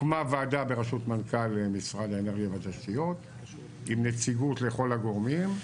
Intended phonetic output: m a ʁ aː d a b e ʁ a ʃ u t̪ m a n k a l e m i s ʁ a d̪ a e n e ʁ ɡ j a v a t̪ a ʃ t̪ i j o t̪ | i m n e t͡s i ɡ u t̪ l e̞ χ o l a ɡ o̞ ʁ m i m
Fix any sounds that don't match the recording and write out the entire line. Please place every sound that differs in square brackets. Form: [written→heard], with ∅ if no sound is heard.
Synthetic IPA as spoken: m a [ʁ→v] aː d a b e ʁ a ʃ u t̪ m a n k a l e m i s ʁ a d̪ a e n e ʁ ɡ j a v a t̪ a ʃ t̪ i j o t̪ | i m n e t͡s i ɡ u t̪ l e̞ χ o l a ɡ o̞ ʁ m i m